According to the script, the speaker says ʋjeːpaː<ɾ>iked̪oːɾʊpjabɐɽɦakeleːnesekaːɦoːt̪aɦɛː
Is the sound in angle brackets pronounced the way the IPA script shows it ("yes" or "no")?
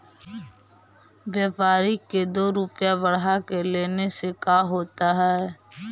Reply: yes